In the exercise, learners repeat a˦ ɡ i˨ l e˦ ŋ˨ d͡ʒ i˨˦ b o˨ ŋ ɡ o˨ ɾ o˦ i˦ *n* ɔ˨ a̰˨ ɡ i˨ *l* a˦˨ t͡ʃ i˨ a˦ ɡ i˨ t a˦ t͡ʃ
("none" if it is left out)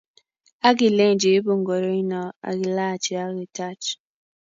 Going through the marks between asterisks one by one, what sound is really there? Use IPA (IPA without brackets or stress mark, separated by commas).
n, l